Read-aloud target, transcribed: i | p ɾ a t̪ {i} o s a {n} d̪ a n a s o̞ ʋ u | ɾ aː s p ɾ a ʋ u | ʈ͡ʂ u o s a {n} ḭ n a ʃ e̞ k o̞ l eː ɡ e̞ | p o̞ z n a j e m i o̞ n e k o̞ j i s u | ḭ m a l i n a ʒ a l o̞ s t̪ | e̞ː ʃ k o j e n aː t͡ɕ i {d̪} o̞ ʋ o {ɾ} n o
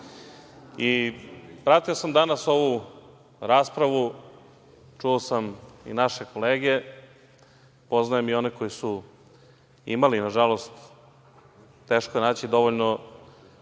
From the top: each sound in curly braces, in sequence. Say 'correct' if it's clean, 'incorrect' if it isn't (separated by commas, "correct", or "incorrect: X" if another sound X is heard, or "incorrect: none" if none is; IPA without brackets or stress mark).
correct, incorrect: m, incorrect: m, correct, incorrect: ʎ